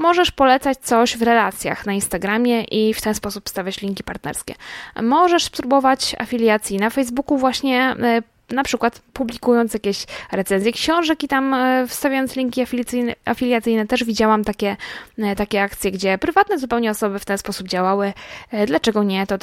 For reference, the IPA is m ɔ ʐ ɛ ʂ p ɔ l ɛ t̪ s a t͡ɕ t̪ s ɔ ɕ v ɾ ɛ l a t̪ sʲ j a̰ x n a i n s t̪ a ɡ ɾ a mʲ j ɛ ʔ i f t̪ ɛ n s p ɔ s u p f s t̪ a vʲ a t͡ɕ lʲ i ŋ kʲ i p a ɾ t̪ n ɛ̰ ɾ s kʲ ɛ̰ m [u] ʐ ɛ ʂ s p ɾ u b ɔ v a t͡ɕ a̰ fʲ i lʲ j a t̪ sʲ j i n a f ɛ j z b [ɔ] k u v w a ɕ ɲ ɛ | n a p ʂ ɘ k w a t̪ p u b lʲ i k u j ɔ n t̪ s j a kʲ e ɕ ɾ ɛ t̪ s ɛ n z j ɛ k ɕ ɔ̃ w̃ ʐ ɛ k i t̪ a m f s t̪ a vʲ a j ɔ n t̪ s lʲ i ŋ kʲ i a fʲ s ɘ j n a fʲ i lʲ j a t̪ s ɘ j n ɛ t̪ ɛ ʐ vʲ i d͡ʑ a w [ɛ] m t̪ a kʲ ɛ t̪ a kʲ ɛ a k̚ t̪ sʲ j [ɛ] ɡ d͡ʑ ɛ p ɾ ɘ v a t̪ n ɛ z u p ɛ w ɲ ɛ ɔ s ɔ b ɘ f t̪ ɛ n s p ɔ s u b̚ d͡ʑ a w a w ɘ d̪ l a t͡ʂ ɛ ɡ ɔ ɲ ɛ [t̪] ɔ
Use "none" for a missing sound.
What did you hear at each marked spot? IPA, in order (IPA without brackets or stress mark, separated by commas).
ɔ, u, a, ɛ, t̪